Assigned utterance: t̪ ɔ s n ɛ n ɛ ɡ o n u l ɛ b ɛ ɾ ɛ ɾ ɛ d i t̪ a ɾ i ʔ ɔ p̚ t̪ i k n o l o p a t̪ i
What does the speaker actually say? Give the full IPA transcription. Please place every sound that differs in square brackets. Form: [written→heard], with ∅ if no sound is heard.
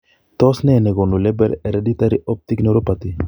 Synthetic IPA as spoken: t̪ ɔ s n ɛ n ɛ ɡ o n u l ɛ b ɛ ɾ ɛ ɾ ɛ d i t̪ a ɾ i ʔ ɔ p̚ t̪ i k n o [l→ɾ] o p a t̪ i